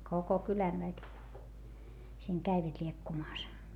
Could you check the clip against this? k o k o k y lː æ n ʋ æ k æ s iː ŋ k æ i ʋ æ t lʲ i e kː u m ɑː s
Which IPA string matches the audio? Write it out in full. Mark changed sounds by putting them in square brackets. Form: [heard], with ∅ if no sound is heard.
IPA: k o k o k y [l] æ n ʋ æ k [i] s iː ŋ k æ i ʋ æ t lʲ i e kː u m ɑː s